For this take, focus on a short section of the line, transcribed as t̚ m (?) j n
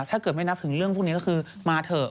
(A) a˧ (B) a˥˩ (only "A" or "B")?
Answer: B